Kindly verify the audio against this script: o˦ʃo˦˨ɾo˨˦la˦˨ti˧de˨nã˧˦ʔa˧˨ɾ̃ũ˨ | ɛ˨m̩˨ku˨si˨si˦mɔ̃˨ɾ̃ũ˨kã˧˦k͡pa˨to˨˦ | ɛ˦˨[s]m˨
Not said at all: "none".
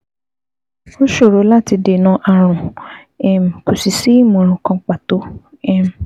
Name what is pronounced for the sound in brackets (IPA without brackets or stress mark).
none